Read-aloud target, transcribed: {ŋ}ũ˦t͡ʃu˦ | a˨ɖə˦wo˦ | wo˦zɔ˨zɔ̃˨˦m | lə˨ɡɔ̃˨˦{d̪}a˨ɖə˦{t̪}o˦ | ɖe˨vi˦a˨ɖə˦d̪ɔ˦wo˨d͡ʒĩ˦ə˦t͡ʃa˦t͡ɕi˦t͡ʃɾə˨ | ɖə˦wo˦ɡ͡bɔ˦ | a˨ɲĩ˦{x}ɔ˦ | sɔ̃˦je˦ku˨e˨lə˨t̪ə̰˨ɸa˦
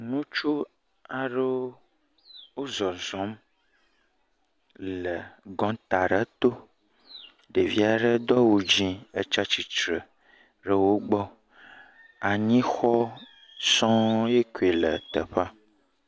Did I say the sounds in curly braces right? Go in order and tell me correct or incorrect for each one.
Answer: incorrect: n, incorrect: t̪, correct, correct

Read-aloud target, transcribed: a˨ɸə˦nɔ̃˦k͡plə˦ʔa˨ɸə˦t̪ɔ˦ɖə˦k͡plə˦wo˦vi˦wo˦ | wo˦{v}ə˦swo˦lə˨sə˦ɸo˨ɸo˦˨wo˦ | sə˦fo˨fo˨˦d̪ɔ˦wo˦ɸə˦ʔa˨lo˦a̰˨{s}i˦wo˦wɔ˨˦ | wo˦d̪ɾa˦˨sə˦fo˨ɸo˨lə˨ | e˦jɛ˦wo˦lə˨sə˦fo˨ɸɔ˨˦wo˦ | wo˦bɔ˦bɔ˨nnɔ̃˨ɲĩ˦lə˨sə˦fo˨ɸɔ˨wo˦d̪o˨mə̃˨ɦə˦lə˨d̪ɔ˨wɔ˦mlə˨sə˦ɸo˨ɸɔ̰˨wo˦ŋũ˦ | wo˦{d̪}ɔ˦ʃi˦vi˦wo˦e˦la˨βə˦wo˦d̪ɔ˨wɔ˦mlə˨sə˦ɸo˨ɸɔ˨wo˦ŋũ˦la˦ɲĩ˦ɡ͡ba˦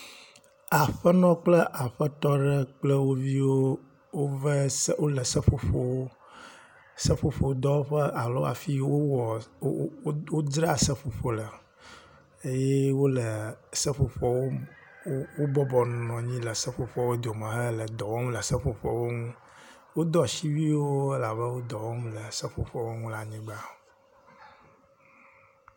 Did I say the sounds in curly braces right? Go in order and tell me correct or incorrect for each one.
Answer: correct, incorrect: f, correct

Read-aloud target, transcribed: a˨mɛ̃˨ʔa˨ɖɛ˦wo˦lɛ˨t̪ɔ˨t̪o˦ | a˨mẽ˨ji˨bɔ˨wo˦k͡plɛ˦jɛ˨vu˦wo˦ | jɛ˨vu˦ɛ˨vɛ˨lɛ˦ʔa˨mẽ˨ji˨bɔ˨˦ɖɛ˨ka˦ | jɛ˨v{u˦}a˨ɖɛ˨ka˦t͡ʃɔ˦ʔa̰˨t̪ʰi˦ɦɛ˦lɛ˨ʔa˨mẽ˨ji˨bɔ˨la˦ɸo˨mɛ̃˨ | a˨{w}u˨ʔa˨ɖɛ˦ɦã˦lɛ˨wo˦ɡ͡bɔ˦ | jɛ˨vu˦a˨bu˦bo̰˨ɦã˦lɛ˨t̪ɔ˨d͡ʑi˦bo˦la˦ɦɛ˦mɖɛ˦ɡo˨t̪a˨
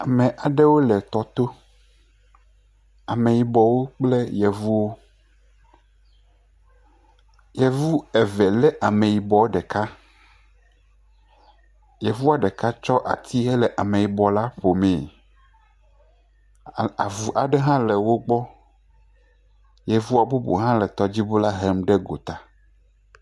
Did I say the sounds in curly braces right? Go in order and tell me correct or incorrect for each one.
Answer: correct, incorrect: v

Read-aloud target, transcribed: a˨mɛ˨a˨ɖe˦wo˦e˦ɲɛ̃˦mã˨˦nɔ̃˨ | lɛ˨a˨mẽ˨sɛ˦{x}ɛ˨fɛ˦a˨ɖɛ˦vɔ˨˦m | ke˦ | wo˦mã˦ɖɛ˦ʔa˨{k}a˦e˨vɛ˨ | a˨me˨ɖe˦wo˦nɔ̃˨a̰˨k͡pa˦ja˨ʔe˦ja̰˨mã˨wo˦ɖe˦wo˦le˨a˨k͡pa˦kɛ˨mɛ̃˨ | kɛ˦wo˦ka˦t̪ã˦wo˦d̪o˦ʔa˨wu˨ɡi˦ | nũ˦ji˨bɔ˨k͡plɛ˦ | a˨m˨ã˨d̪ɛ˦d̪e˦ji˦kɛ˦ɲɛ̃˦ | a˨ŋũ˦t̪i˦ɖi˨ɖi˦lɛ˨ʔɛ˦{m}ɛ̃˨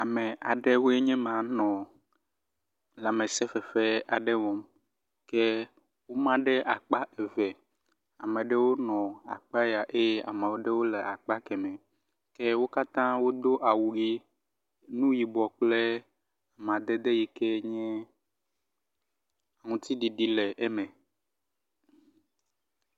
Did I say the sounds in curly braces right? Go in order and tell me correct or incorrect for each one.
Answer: incorrect: f, incorrect: k͡p, correct

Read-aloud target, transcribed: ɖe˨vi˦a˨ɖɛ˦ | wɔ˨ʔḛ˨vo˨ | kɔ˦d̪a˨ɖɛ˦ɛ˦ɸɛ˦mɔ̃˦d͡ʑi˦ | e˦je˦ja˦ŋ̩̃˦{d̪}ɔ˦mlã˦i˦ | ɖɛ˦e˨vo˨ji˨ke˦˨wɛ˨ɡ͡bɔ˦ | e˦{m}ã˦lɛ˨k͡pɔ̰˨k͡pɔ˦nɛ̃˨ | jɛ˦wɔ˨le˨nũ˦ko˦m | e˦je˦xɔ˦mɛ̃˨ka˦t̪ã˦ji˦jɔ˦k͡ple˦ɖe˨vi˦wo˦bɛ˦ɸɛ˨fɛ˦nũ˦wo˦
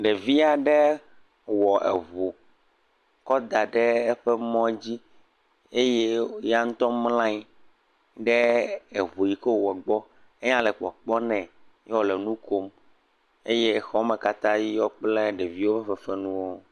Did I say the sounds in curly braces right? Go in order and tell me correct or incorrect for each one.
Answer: incorrect: t̪, incorrect: ɲ

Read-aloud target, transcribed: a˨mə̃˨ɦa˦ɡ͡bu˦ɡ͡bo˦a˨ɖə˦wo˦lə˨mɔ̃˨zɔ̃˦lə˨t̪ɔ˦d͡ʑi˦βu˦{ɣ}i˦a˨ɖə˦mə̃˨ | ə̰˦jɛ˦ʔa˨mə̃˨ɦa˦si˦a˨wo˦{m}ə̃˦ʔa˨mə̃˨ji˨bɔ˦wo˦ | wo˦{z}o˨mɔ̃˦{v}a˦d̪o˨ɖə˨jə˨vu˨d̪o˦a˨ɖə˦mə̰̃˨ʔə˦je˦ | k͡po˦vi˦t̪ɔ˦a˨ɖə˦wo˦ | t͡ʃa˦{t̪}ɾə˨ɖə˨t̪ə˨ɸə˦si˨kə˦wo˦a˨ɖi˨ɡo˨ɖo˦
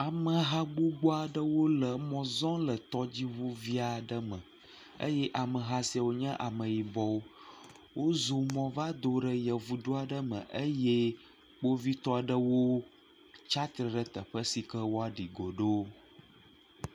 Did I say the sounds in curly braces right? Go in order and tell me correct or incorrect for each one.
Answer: incorrect: v, incorrect: ɲ, correct, correct, correct

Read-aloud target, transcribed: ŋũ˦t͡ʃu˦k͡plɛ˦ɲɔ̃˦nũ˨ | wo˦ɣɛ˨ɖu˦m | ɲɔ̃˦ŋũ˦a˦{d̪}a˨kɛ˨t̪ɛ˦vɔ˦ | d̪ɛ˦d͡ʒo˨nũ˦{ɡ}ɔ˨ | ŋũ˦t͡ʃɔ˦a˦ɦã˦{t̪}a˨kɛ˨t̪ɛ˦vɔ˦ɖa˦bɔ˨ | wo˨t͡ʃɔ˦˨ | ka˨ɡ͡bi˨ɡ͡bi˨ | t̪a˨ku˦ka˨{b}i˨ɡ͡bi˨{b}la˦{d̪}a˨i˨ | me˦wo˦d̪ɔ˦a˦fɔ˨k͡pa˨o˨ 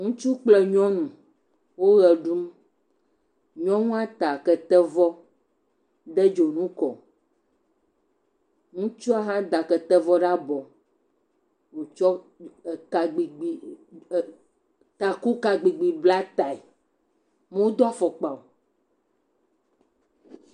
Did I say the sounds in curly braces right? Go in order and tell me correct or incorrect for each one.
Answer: incorrect: t̪, incorrect: k, incorrect: d̪, incorrect: ɡ͡b, correct, incorrect: t̪

